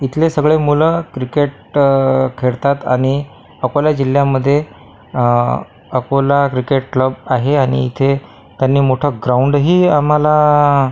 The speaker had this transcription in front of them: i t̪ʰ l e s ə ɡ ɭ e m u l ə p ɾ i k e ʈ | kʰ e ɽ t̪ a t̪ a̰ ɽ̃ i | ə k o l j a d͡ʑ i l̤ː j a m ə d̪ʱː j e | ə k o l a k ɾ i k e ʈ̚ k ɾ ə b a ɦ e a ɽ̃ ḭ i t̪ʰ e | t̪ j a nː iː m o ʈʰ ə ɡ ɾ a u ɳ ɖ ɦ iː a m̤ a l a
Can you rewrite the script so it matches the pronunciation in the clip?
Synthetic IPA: i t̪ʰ l e s ə ɡ ɭ e m u l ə k ɾ i k e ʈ | kʰ e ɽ t̪ a t̪ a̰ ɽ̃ i | ə k o l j a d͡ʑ i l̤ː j a m ə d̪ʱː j e | ə k o l a k ɾ i k e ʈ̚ k l ə b a ɦ e a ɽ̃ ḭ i t̪ʰ e | t̪ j a nː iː m o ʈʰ ə ɡ ɾ a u ɳ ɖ ɦ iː a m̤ a l a